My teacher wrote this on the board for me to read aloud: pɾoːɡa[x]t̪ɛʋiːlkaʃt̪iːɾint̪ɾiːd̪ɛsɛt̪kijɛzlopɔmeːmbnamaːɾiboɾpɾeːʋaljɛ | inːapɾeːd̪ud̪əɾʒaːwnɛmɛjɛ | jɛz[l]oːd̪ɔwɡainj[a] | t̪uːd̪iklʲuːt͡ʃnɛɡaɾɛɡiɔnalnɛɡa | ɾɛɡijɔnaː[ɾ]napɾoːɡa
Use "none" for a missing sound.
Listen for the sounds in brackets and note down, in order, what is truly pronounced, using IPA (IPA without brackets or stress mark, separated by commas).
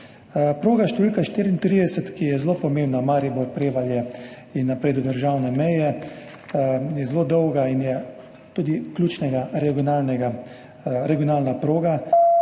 ʃ, l, ɛ, l